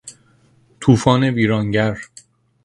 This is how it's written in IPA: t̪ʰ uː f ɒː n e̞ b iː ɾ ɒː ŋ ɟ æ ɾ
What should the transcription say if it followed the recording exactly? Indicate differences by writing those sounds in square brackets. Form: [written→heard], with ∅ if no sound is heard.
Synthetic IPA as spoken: t̪ʰ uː f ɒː n e̞ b iː ɾ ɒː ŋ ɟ æ ɾ